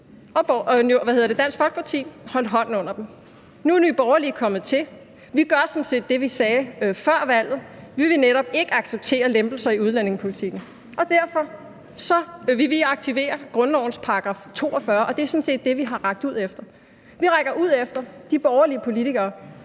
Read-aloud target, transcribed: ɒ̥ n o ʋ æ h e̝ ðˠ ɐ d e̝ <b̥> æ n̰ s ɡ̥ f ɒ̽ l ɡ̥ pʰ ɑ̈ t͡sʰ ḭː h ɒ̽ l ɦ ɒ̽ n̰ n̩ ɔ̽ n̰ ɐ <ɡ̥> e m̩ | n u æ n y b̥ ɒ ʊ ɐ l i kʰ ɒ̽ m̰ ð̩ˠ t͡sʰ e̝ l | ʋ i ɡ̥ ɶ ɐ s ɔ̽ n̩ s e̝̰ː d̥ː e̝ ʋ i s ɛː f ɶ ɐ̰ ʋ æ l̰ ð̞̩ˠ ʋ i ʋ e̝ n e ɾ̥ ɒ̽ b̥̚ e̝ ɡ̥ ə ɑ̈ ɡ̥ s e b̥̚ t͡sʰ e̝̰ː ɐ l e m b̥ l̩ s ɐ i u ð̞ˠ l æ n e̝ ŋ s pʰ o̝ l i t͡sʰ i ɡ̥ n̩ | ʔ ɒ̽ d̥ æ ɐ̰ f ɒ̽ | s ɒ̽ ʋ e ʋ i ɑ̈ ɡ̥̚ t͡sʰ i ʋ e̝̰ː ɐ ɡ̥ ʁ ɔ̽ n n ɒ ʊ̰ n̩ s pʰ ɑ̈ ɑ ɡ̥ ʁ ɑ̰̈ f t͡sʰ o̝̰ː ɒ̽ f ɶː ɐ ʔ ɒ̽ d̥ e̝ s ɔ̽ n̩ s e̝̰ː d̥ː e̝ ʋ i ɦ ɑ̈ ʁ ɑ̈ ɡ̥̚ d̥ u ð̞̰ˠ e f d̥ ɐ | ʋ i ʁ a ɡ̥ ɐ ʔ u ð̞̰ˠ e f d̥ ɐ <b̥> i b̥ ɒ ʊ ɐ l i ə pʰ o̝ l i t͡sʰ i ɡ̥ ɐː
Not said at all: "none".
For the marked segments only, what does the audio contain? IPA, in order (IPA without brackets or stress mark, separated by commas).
d̥, d̥, d̥